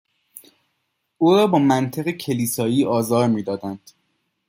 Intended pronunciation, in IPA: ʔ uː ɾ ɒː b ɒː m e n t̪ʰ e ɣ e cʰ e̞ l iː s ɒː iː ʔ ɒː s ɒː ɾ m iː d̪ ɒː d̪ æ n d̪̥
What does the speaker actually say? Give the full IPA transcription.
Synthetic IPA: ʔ uː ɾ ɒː b ɒː m æ n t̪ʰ e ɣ e cʰ e̞ l iː s ɒː iː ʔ ɒː z ɒː ɾ m iː d̪ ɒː d̪ æ n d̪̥